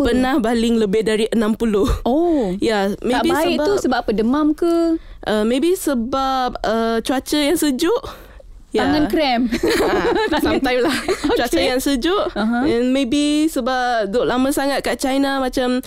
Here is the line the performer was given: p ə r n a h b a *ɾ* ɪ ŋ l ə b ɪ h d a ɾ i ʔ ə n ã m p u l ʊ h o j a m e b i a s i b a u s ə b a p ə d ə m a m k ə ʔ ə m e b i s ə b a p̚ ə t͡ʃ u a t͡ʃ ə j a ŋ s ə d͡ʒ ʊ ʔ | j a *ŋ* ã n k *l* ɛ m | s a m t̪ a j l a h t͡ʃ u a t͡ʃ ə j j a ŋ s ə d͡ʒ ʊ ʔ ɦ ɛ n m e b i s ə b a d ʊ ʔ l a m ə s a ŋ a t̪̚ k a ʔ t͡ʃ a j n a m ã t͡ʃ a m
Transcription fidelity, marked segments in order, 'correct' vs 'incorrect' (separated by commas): incorrect, correct, incorrect